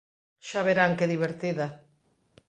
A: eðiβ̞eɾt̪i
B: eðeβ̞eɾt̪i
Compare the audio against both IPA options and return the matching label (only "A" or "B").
A